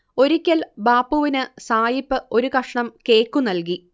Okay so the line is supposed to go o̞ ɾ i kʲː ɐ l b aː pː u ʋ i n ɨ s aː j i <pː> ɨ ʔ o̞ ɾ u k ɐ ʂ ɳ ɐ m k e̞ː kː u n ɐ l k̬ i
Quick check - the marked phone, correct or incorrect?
correct